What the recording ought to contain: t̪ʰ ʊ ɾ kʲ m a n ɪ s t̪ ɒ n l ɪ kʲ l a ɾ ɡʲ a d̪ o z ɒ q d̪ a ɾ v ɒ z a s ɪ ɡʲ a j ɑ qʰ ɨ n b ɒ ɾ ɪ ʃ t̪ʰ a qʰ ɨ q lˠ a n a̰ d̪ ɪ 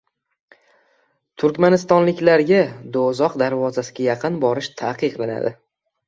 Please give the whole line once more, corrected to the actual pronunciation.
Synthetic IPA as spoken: t̪ʰ ʊ ɾ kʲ m a n ɪ s t̪ ɒ n l ɪ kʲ l a ɾ ɡʲ a d̪ o z ɒ q d̪ a ɾ v ɒ z a s ɪ ɡʲ a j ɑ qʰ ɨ n b ɒ ɾ ɪ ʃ t̪ʰ a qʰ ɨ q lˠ a n a̰ d̪ ɪ